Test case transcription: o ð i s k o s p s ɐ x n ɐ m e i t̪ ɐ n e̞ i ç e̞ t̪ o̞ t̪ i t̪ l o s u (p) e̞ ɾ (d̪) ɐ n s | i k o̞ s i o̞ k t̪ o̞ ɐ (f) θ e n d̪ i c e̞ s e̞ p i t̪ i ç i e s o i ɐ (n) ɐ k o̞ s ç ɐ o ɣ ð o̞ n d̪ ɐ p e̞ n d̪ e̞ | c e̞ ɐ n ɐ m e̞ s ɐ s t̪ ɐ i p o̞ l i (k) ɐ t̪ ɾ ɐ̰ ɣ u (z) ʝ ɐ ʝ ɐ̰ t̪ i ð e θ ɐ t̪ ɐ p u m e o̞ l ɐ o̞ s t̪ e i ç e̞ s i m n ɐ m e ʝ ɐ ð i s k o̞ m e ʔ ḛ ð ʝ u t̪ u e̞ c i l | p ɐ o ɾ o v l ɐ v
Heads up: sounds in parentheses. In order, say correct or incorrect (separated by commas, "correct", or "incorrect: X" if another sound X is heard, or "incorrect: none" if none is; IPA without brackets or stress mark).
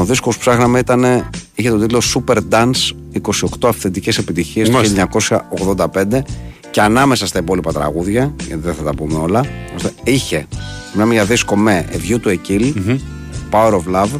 correct, correct, correct, incorrect: ɲ, incorrect: p, incorrect: ð